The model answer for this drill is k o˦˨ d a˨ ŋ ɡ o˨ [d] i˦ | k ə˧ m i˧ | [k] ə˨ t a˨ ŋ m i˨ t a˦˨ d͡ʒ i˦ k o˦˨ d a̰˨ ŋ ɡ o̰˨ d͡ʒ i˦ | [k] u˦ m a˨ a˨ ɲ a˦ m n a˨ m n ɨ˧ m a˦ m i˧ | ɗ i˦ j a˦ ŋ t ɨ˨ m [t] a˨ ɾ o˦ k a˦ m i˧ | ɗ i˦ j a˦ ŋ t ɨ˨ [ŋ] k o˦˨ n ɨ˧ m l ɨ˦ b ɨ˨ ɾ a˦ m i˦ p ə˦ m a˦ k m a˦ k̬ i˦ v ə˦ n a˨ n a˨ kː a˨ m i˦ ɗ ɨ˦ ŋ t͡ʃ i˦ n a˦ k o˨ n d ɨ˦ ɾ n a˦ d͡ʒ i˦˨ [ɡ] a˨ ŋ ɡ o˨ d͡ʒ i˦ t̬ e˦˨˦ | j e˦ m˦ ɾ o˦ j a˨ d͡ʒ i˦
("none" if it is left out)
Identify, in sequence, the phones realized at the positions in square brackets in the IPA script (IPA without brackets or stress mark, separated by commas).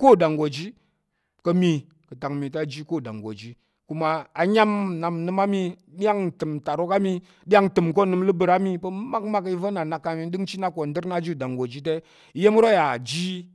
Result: d͡ʒ, k, k, t, m, d